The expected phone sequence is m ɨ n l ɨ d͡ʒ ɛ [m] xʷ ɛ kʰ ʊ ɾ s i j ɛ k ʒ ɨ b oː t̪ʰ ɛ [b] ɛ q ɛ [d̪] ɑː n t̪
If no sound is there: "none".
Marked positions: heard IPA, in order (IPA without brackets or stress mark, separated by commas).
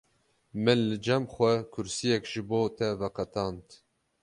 m, v, t̪